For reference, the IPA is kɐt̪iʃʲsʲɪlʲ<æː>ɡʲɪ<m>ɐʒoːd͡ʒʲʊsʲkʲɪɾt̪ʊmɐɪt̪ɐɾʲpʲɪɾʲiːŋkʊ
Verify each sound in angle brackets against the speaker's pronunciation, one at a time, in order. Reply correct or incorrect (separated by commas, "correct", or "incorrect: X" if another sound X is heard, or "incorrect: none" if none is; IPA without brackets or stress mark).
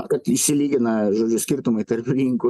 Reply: incorrect: iː, incorrect: n